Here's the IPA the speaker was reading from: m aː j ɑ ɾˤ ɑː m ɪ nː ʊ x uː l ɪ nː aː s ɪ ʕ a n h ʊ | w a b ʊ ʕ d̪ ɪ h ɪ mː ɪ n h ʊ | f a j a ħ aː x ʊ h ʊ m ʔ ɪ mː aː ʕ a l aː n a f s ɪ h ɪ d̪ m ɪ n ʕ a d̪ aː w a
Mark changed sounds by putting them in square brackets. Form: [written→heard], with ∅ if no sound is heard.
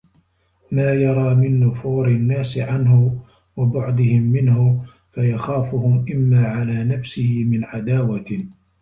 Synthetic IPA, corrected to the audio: m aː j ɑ ɾˤ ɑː m ɪ nː ʊ [x→f] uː [l→ɾ] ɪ nː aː s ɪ ʕ a n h ʊ | w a b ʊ ʕ d̪ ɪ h ɪ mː ɪ n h ʊ | f a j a [ħ→x] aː [x→f] ʊ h ʊ m ʔ ɪ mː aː ʕ a l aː n a f s ɪ h ɪ [d̪→∅] m ɪ n ʕ a d̪ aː w a

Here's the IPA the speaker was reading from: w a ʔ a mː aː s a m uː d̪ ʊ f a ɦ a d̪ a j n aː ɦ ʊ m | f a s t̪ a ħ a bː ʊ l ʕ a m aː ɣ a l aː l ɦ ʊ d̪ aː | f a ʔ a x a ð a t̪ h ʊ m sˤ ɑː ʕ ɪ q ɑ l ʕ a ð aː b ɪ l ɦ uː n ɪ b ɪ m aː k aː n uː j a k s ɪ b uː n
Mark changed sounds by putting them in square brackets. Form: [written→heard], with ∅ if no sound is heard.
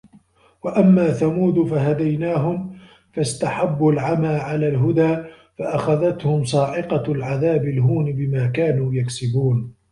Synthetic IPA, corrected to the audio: w a ʔ a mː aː [s→θ] a m uː d̪ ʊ f a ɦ a d̪ a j n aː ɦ ʊ m | f a s t̪ a ħ a bː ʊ l ʕ a m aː [ɣ→ʕ] a l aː l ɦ ʊ d̪ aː | f a ʔ a x a ð a t̪ h ʊ m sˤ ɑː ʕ ɪ q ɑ l ʕ a ð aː b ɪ l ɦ uː n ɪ b ɪ m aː k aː n uː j a k s ɪ b uː n

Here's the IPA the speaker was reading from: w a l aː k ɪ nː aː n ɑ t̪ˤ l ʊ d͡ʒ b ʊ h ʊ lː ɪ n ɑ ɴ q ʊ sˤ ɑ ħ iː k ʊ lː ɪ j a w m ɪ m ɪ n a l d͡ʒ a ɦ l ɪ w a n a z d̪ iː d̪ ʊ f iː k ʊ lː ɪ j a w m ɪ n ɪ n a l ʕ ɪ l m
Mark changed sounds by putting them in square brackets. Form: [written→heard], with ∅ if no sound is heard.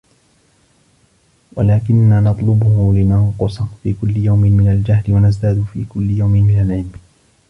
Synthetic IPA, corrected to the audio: w a l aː k ɪ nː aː n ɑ t̪ˤ l ʊ [d͡ʒ→∅] b ʊ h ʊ [lː→l] ɪ n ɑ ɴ q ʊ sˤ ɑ [ħ→f] iː k ʊ lː ɪ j a w m ɪ m ɪ n a l d͡ʒ a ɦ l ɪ w a n a z d̪ [iː→aː] d̪ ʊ f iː k ʊ lː ɪ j a w m ɪ [n→m] ɪ n a l ʕ ɪ l m

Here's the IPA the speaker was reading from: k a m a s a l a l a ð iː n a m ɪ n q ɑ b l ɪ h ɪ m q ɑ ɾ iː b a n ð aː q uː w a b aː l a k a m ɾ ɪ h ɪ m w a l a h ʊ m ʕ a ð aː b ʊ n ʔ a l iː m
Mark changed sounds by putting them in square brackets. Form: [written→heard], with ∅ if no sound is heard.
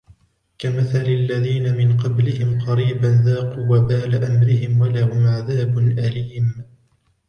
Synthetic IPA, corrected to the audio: k a m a [s→θ] a l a [l→lː] a ð iː n a m ɪ n q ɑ b l ɪ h ɪ m q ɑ ɾ iː b a n ð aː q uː w a b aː l a [k→ʔ] a m ɾ ɪ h ɪ m w a l a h ʊ m ʕ a ð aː b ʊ n ʔ a l iː m

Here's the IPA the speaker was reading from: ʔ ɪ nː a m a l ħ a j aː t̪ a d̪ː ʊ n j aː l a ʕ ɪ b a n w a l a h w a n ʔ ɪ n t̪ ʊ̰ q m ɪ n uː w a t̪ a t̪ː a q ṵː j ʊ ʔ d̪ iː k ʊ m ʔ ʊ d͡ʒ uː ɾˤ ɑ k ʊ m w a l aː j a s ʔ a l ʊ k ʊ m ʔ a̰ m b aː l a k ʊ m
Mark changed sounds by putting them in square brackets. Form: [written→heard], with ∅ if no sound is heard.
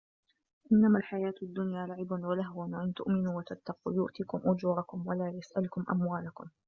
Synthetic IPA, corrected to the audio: ʔ ɪ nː a m a l ħ a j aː t̪ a d̪ː ʊ n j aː l a ʕ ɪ b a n w a l a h w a n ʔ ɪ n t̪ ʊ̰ [q→ʔ] m ɪ n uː w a t̪ a t̪ː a q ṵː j ʊ ʔ [d̪→t̪] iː k ʊ m ʔ ʊ d͡ʒ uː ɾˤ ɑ k ʊ m w a l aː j a s ʔ a l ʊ k ʊ m ʔ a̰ m [b→w] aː l a k ʊ m

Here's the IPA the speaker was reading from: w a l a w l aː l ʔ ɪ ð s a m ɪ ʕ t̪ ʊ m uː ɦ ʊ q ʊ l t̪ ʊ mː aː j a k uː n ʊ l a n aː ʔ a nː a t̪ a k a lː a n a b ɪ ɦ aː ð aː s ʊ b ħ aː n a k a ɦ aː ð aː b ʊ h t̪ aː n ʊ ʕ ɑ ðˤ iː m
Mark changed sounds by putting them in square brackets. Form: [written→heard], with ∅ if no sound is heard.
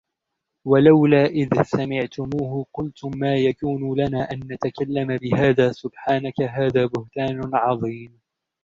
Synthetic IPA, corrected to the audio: w a l a w l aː [l→∅] ʔ ɪ ð s a m ɪ ʕ t̪ ʊ m uː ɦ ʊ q ʊ l t̪ ʊ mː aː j a k uː n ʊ l a n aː ʔ a nː a t̪ a k a lː a [n→m] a b ɪ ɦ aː ð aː s ʊ b ħ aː n a k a ɦ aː ð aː b ʊ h t̪ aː n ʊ ʕ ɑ ðˤ iː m

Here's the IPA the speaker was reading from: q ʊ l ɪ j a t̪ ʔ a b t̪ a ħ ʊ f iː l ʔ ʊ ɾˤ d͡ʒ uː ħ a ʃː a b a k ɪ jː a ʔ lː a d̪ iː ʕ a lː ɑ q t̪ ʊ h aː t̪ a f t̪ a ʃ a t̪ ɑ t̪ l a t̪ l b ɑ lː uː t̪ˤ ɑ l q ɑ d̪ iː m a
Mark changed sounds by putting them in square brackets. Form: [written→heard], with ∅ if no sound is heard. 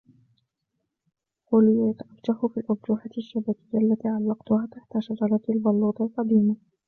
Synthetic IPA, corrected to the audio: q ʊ l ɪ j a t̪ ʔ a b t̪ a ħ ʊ f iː l ʔ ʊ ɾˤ d͡ʒ uː ħ a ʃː a b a k ɪ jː a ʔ lː a [d̪→t̪] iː ʕ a lː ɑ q t̪ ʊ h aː t̪ a [f→ħ] t̪ a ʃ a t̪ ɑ [t̪→∅] l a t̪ l b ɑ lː uː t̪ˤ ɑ l q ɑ d̪ iː m a

